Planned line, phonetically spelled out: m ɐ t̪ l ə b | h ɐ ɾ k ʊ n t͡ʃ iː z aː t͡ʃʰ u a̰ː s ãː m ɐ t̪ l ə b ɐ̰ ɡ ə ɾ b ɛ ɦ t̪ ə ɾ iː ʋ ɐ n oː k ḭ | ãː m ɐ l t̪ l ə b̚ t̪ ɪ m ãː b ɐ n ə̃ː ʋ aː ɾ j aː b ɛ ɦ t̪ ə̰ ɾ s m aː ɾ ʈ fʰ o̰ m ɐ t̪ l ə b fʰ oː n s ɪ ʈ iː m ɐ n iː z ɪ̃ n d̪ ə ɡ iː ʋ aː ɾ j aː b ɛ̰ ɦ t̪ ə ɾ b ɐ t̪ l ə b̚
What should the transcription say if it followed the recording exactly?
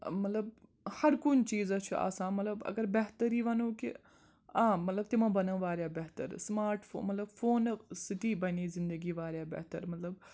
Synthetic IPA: m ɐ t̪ l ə b | h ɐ ɾ k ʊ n t͡ʃ iː z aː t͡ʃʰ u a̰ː s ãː m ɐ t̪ l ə b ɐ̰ ɡ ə ɾ b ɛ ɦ t̪ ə ɾ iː ʋ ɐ n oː k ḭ | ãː m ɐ t̪ l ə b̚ t̪ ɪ m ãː b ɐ n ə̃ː ʋ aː ɾ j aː b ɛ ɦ t̪ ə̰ ɾ s m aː ɾ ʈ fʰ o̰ m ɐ t̪ l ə b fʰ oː n s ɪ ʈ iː b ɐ n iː z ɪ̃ n d̪ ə ɡ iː ʋ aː ɾ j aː b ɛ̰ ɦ t̪ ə ɾ m ɐ t̪ l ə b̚

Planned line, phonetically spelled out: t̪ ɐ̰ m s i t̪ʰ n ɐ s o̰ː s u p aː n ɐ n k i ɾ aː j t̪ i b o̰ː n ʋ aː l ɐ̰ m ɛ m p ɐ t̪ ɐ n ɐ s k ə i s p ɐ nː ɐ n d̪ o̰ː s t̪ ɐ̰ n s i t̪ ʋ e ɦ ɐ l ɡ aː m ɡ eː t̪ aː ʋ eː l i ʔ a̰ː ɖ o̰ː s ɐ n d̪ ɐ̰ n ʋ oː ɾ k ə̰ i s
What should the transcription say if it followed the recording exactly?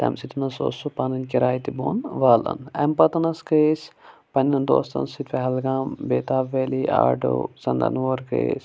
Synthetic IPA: t̪ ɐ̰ m s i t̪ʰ n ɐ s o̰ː s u p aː n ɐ n k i ɾ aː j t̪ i b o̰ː n ʋ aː l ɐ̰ n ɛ m p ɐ t̪ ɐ n ɐ s k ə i s p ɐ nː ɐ n d̪ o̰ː s t̪ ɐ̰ n s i t̪ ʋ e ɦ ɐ l ɡ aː m b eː t̪ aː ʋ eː l i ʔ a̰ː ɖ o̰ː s ɐ n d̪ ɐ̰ n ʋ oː ɾ k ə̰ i s

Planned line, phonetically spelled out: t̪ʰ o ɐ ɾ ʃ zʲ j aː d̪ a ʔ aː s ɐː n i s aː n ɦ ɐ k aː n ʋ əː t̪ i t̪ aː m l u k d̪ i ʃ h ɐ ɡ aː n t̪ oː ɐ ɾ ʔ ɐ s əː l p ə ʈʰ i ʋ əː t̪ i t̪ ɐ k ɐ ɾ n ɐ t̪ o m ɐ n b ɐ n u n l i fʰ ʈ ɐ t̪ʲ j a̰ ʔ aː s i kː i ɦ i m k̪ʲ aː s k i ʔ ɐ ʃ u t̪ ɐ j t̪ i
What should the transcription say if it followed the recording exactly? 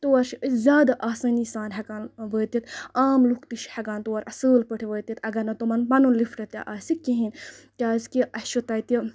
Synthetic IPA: t̪ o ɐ ɾ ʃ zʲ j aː d̪ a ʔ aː s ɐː n i s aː n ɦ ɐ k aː n ʋ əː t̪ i t̪ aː m l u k t̪ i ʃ h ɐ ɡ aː n t̪ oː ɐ ɾ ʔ ɐ s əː l p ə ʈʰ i ʋ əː t̪ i t̪ ɐ ɡ ɐ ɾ n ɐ t̪ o m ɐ n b ɐ n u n l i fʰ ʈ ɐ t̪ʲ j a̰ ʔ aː s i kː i ɦ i n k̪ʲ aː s k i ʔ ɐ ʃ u t̪ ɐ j t̪ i

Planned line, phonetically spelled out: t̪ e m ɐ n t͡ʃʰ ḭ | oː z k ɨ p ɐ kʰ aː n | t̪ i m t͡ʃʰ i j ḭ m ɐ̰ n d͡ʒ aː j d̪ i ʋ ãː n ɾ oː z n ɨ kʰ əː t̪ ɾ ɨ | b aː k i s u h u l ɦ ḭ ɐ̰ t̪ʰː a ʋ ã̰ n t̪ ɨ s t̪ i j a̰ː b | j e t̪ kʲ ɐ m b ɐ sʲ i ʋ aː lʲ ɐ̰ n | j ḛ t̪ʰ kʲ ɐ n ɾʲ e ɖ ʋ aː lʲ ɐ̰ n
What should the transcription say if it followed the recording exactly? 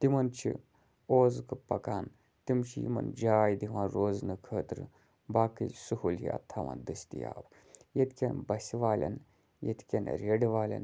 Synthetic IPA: t̪ i m ɐ n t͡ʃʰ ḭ | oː z k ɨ p ɐ k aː n | t̪ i m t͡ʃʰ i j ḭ m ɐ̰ n d͡ʒ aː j d̪ i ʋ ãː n ɾ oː z n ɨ kʰ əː t̪ ɾ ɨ | b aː k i s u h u l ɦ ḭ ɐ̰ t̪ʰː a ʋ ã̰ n d̪ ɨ s t̪ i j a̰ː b | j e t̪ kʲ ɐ n b ɐ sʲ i ʋ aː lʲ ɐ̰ n | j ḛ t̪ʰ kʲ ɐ n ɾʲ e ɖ ʋ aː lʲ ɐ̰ n

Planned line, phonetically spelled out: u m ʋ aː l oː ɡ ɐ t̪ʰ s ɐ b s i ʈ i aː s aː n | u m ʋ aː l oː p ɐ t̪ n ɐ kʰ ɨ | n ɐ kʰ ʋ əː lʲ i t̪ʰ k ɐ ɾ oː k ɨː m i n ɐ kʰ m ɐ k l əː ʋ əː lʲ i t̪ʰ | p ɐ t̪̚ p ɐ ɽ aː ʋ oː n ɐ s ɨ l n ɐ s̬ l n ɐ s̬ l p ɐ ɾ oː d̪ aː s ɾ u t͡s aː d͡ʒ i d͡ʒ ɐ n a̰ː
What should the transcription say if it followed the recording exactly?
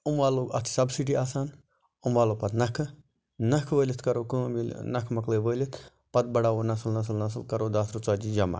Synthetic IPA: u m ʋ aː l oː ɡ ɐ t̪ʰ s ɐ b s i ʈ i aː s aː n | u m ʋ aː l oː p ɐ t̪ n ɐ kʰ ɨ | n ɐ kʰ ʋ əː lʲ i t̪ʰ k ɐ ɾ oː k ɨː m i n ɐ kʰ m ɐ k l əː ʋ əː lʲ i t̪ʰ | p ɐ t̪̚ b ɐ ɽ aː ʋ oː n ɐ s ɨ l n ɐ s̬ l n ɐ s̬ l k ɐ ɾ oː d̪ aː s ɾ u t͡s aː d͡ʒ i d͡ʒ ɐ m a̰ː

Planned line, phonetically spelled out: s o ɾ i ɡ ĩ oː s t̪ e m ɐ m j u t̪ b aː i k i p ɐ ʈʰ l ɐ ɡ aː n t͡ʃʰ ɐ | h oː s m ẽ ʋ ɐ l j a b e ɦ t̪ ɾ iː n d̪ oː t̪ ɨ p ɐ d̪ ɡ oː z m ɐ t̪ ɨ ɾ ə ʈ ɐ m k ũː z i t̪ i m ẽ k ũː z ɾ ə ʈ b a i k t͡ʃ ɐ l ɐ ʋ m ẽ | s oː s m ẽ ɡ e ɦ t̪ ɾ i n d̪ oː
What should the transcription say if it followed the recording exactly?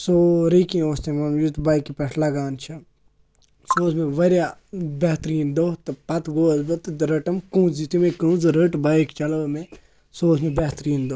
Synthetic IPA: s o ɾ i k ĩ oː s t̪ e m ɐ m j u t̪ b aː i k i p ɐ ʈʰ l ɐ ɡ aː n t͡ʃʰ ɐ | s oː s m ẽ ʋ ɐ ɾ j a b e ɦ t̪ ɾ iː n d̪ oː t̪ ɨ p ɐ t̪ ɡ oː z b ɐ t̪ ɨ ɾ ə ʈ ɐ m k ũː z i t̪ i m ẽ k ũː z ɾ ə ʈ b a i k t͡ʃ ɐ l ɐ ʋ m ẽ | s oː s m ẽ b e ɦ t̪ ɾ iː n d̪ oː

